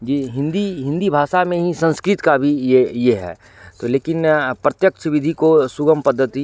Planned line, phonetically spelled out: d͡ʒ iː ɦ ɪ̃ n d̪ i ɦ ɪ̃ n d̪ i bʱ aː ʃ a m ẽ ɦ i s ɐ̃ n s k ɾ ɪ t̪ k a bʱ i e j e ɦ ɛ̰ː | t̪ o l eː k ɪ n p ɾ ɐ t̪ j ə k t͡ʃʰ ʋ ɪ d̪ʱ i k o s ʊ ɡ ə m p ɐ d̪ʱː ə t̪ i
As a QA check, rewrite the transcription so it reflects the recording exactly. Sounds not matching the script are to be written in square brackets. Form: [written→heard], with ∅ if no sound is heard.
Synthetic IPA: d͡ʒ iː ɦ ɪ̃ n d̪ i ɦ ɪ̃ n d̪ i bʱ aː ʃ a m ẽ ɦ i s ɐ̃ n s k ɾ ɪ t̪ k a bʱ i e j e ɦ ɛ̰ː | t̪ o l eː k ɪ n p ɾ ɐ t̪ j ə k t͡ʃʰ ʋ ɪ d̪ʱ i k o s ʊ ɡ ə m p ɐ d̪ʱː ə t̪ i

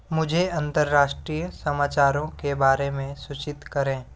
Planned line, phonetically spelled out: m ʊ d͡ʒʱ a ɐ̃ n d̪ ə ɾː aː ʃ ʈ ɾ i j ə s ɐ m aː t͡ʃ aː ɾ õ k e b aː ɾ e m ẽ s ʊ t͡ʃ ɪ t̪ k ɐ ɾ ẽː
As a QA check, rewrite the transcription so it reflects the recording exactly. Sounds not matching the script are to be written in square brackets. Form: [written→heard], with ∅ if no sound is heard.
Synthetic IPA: m ʊ d͡ʒʱ [a→e] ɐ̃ n [d̪→t̪] ə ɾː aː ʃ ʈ ɾ i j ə s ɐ m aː t͡ʃ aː ɾ õ k e b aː ɾ e m ẽ s ʊ t͡ʃ ɪ t̪ k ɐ ɾ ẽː

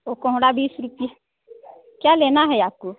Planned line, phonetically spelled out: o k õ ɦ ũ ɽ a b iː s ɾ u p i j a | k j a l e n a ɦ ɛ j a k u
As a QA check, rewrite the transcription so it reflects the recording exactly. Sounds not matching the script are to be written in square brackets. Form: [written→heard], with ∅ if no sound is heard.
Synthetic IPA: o k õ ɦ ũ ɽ a b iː s ɾ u p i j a | k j a l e n a ɦ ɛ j a k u

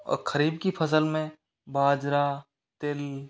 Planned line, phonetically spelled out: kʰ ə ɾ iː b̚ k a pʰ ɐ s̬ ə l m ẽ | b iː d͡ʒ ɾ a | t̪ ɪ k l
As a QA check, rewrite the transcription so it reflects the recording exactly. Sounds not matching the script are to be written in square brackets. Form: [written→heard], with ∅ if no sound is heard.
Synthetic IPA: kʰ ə ɾ iː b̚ k [a→i] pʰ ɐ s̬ ə l m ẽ | b [iː→aː] d͡ʒ ɾ a | t̪ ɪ [k→∅] l

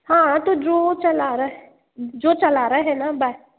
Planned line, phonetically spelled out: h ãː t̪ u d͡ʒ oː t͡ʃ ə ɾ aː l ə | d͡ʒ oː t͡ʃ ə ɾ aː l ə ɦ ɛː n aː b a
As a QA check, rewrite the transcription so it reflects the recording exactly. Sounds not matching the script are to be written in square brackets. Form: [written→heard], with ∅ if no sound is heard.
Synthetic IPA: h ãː t̪ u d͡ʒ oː t͡ʃ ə [ɾ→l] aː [l→ɾ] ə | d͡ʒ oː t͡ʃ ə [ɾ→l] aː [l→ɾ] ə ɦ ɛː n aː b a

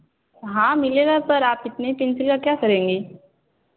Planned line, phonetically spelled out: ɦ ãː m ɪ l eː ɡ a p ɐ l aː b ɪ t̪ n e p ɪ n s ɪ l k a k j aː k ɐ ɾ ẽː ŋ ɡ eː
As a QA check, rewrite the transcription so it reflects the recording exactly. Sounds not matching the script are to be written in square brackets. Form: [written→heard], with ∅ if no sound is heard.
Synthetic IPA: ɦ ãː m ɪ l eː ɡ a p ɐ [l→ɾ] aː [b→p] ɪ t̪ n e p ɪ n s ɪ l k a k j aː k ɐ ɾ ẽː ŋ ɡ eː

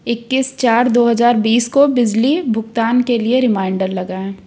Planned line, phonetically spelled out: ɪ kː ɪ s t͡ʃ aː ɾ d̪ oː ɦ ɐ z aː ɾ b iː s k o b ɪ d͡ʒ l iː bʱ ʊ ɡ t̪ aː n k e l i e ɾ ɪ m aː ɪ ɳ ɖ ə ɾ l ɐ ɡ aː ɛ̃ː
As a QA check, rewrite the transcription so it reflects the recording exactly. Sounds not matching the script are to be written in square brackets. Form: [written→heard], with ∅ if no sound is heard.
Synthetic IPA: ɪ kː ɪ s t͡ʃ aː ɾ d̪ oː ɦ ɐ z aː ɾ b iː s k o b ɪ d͡ʒ l [iː→i] bʱ ʊ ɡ t̪ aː n k e l i e ɾ ɪ m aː ɪ ɳ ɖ ə ɾ l ɐ ɡ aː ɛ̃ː

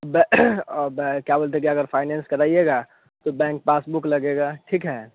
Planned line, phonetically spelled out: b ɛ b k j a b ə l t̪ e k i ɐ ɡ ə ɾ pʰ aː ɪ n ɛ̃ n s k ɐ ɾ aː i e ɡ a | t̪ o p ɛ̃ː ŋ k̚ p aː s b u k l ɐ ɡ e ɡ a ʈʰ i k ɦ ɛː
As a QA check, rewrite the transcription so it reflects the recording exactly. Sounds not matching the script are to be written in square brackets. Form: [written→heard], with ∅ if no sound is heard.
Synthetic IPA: b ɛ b k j a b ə l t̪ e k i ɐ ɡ ə ɾ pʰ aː ɪ n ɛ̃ n s k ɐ ɾ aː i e ɡ a | t̪ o [p→b] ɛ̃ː ŋ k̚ p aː s b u k l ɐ ɡ e ɡ a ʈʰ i k ɦ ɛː

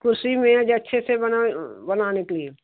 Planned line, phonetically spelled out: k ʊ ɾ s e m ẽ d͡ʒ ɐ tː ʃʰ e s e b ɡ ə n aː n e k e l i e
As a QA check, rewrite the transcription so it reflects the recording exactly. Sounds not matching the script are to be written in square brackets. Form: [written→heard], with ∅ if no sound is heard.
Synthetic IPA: k ʊ ɾ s [e→i] m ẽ d͡ʒ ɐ tː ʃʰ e s e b [ɡ→b] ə n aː n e k e l i e

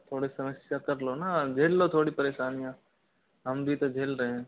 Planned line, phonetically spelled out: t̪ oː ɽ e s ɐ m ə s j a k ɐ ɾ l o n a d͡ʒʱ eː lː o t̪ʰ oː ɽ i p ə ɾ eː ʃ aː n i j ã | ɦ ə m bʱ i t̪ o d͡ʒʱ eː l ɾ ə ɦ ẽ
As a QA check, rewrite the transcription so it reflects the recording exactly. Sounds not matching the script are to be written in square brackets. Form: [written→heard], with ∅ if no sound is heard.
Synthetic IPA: [t̪→t̪ʰ] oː ɽ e s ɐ m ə s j a k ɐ ɾ l o n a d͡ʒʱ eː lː o t̪ʰ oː ɽ i p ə ɾ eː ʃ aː n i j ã | ɦ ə m bʱ i t̪ o d͡ʒʱ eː l ɾ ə ɦ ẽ

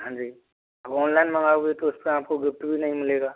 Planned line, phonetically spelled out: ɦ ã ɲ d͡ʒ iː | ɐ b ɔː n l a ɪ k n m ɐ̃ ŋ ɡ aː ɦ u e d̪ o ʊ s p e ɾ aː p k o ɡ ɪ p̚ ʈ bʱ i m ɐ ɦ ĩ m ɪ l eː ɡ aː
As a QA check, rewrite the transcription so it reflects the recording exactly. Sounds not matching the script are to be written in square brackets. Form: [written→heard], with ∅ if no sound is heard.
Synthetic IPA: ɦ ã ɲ d͡ʒ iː | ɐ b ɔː n l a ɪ [k→∅] n m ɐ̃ ŋ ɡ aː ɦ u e [d̪→t̪] o ʊ s p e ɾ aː p k o ɡ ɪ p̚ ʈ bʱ i [m→n] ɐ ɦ ĩ m ɪ l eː ɡ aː

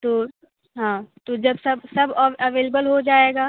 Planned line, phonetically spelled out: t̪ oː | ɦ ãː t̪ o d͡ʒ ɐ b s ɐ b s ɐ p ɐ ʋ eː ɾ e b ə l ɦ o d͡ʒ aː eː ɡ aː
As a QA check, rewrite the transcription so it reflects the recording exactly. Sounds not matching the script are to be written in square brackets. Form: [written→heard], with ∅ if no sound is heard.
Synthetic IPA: t̪ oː | ɦ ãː t̪ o d͡ʒ ɐ b s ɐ b s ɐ [p→b] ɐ ʋ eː [ɾ→l] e b ə l ɦ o d͡ʒ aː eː ɡ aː

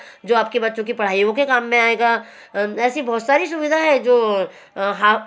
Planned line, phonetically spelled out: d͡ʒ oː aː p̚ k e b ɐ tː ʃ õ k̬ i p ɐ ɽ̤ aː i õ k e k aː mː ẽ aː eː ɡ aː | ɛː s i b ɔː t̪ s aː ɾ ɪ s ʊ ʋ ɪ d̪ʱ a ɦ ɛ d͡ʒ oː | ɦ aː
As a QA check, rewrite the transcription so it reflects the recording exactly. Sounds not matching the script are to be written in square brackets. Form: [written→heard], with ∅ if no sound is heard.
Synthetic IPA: d͡ʒ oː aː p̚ k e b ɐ tː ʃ õ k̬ i p ɐ ɽ̤ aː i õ k e k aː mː ẽ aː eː ɡ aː | ɛː s i b ɔː t̪ s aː ɾ [ɪ→i] s ʊ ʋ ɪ d̪ʱ a ɦ ɛ d͡ʒ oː | ɦ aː

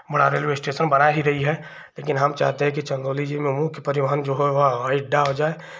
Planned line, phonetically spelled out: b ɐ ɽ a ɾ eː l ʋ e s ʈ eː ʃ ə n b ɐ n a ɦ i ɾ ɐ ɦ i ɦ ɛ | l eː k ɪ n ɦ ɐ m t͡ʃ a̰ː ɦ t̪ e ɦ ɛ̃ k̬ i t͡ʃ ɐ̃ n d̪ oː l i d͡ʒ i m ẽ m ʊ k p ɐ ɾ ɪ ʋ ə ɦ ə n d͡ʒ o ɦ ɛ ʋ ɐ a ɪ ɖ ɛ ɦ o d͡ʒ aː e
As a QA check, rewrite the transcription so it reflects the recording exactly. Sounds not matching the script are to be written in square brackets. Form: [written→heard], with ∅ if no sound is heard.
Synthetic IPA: b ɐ ɽ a ɾ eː l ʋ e s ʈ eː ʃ ə n b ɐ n a ɦ i ɾ ɐ ɦ i ɦ ɛ | l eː k ɪ n ɦ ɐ m t͡ʃ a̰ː ɦ t̪ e ɦ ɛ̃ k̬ i t͡ʃ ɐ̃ n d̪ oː l i d͡ʒ i m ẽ m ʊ k p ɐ ɾ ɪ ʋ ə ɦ ə n d͡ʒ o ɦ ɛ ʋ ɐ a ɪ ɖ [ɛ→a] ɦ o d͡ʒ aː e

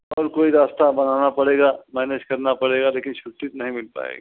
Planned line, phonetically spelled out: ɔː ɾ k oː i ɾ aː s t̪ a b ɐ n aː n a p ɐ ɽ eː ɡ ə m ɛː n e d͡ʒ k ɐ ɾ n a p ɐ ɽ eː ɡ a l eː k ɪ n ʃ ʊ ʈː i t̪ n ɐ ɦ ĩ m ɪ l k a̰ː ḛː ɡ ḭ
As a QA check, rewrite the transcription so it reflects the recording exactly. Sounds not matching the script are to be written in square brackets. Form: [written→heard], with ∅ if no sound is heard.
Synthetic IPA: ɔː ɾ k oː i ɾ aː s t̪ a b ɐ n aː n a p ɐ ɽ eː ɡ [ə→a] m ɛː n e d͡ʒ k ɐ ɾ n a p ɐ ɽ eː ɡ a l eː k ɪ n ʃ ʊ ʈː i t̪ n ɐ ɦ ĩ m ɪ l [k→p] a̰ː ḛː ɡ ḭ

